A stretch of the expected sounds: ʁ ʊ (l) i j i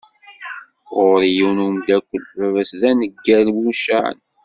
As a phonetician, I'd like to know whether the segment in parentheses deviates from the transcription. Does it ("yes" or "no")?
yes